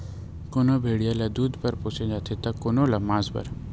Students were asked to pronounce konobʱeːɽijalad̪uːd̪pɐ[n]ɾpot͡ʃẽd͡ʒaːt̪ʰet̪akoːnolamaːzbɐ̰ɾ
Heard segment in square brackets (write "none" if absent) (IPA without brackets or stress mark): none